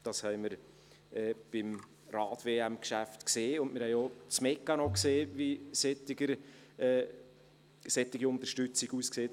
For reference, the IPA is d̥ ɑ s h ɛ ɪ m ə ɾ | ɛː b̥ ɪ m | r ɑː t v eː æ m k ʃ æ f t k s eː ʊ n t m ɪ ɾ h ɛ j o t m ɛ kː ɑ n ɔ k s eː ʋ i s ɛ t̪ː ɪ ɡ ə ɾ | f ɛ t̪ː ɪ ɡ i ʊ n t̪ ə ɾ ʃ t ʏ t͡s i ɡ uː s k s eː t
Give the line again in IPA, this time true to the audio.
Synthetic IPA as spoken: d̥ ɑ s h ɛ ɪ m ə ɾ | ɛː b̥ ɪ m | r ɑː t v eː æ m k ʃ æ f t k s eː ʊ n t m ɪ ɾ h ɛ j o t͡s m ɛ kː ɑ n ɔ k s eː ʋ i s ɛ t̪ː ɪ ɡ ə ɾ | s ɛ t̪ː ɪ ɡ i ʊ n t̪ ə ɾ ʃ t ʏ t͡s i ɡ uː s k s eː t